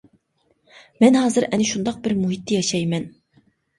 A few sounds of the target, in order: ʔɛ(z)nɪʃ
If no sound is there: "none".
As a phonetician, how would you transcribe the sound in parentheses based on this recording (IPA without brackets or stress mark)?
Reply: none